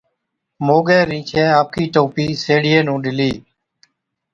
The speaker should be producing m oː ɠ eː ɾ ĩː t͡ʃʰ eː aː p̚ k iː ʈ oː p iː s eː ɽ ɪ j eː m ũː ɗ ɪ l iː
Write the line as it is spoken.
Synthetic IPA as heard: m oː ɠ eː ɾ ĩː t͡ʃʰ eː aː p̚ k iː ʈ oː p iː s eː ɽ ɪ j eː n ũː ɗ ɪ l iː